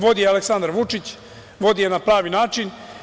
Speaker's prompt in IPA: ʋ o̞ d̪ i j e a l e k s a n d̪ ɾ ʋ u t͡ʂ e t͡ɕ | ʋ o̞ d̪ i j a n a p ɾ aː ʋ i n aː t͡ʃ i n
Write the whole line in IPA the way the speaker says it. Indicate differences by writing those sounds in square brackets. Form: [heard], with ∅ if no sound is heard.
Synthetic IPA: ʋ o̞ d̪ i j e a l e k s a n d̪ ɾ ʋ u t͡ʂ [i] t͡ɕ | ʋ o̞ d̪ i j [e] n a p ɾ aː ʋ i n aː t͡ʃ i n